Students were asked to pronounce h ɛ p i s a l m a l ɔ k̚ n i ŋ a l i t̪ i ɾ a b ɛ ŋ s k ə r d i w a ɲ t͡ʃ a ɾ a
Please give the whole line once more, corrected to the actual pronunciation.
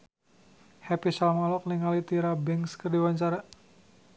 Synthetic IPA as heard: h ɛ p i s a l m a l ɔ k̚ n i ŋ a l i t̪ i ɾ a b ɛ ŋ s k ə r d i w a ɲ t͡ʃ a ɾ a